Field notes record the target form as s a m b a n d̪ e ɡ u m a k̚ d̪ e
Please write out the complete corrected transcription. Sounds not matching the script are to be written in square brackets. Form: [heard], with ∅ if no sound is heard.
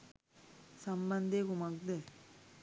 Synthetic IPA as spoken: s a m b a n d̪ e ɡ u m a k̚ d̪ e